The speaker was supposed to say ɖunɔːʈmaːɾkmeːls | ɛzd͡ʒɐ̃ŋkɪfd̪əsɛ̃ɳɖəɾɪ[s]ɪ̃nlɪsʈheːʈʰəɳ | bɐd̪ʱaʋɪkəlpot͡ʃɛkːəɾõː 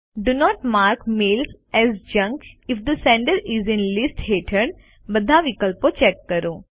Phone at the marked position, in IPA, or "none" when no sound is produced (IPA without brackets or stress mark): z